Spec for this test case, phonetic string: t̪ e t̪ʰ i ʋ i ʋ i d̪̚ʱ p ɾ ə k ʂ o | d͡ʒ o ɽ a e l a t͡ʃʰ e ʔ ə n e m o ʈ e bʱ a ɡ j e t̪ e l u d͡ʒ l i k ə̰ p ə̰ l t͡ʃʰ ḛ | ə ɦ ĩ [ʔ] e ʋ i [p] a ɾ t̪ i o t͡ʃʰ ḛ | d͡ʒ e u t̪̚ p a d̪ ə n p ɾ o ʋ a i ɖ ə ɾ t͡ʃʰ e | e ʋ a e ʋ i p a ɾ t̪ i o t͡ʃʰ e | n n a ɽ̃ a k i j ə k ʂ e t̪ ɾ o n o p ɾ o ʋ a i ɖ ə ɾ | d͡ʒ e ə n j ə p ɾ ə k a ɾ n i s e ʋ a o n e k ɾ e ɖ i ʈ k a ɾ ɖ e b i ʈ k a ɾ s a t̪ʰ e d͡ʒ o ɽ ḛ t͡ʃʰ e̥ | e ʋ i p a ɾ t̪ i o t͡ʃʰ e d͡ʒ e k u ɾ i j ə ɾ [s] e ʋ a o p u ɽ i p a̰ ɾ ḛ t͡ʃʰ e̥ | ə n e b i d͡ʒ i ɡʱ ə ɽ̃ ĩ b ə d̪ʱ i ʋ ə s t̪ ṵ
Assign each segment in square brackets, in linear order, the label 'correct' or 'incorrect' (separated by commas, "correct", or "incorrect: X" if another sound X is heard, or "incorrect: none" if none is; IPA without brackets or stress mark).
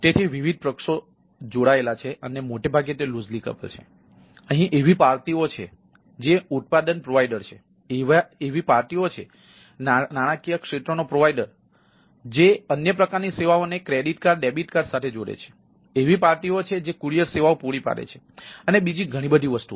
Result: correct, correct, correct